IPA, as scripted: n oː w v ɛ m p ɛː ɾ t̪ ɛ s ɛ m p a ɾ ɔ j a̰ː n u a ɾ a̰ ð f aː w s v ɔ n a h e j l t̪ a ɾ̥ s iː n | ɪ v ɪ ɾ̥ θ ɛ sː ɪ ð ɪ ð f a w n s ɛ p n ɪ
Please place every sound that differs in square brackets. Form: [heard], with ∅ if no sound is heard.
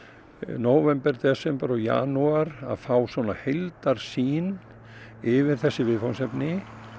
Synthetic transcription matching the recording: n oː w v ɛ m p [ɛ] ɾ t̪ ɛ s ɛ m p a ɾ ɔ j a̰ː n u a ɾ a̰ ð f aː w s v ɔ n a h e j l t̪ a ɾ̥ s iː n | ɪ v ɪ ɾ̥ θ ɛ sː ɪ [v] ɪ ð f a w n s ɛ p n ɪ